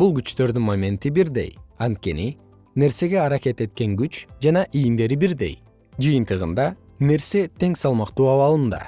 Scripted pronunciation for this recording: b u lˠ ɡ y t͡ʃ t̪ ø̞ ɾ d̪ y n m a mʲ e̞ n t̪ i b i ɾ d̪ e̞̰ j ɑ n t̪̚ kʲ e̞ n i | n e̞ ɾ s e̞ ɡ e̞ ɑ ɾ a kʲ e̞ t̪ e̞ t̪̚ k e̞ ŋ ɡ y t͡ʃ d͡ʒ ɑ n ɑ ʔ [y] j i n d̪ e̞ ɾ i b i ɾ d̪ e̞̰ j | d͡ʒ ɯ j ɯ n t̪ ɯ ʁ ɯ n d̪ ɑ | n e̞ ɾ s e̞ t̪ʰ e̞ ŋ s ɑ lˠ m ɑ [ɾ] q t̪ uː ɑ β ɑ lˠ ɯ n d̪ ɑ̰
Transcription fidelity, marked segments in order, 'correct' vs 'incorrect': incorrect: i, incorrect: none

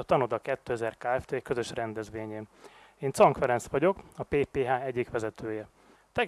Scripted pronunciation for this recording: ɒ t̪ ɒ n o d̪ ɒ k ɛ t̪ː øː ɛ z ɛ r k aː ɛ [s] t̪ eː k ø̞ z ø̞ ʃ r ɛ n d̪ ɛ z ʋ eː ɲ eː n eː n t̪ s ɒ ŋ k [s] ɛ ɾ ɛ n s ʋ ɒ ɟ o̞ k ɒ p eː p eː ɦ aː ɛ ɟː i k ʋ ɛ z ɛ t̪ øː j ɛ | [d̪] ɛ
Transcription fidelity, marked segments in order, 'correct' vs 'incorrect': incorrect: f, incorrect: f, incorrect: t̪

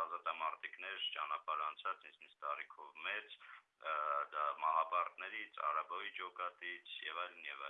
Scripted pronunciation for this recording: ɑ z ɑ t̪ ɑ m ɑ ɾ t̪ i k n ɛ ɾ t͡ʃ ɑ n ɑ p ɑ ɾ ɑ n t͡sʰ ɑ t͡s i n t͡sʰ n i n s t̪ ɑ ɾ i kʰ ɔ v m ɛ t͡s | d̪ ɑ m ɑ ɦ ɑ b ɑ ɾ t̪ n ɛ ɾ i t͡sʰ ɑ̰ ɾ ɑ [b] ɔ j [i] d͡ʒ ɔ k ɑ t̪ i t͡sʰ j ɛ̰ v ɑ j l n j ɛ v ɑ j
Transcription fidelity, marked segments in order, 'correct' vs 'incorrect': correct, correct

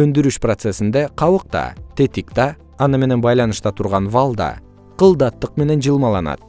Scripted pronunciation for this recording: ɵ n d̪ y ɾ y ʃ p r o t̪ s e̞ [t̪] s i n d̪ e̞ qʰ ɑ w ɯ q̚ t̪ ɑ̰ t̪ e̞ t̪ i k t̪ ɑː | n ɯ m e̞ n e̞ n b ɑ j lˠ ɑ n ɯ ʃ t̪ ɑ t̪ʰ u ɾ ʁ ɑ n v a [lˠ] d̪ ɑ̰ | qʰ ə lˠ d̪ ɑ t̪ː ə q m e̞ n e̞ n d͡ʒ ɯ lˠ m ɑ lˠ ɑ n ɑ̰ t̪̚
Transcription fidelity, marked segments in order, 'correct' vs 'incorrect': incorrect: none, correct

